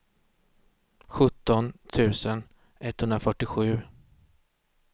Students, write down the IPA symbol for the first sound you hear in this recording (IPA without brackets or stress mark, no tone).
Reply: ɧ